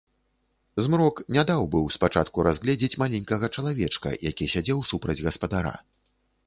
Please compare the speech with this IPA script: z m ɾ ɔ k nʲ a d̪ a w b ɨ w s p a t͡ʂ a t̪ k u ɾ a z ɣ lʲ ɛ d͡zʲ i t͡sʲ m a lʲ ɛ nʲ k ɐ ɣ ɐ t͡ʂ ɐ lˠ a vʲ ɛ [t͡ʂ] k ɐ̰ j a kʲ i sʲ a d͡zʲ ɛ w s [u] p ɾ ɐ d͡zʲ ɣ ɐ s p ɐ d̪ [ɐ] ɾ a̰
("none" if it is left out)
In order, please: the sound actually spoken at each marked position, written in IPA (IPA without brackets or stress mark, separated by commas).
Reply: t͡ʂ, u, a